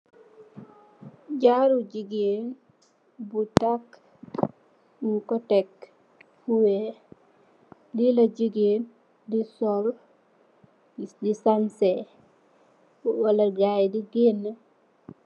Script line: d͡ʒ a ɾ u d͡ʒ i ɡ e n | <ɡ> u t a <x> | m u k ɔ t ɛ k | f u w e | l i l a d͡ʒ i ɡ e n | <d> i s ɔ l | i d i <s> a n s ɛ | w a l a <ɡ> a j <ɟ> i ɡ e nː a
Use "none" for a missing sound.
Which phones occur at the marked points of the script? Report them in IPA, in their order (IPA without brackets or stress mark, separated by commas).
b, k, d, s, ɡ, d